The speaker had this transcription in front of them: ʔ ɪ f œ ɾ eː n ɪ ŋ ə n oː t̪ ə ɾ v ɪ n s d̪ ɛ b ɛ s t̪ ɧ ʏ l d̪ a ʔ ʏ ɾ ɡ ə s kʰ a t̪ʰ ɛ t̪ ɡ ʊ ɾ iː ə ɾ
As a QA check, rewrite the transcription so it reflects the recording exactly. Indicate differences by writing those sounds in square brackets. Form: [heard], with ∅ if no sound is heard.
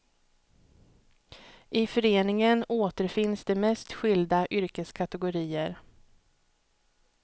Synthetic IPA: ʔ ɪ f œ ɾ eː n ɪ ŋ ə n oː t̪ ə ɾ [f] ɪ n s d̪ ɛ [m] ɛ s t̪ ɧ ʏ l d̪ a ʔ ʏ ɾ [k] ə s kʰ a [t̪] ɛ [∅] ɡ ʊ ɾ iː ə ɾ